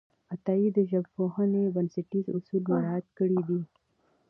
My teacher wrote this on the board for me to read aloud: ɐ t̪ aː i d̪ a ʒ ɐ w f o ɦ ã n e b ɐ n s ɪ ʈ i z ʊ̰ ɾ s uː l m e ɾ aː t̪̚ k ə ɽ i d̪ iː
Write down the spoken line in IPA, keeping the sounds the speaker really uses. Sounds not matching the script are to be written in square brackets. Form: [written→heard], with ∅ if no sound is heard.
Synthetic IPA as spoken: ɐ t̪ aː i d̪ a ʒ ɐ [w→b] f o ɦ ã n e b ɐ n s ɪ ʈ i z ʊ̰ [ɾ→∅] s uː l m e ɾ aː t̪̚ k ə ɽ i d̪ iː